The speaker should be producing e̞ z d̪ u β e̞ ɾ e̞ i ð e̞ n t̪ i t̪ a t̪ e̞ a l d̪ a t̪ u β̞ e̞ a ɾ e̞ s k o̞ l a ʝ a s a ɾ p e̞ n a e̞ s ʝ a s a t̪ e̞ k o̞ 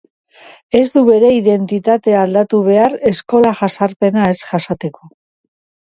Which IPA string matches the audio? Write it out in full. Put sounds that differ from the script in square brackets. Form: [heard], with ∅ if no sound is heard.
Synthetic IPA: e̞ z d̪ u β e̞ ɾ e̞ i ð e̞ n t̪ i t̪ a t̪ e̞ a l d̪ a t̪ u β̞ e̞ a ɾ e̞ s k o̞ l a ʝ a s a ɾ p e̞ n a e̞ s ʝ a s a t̪ e̞ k o̞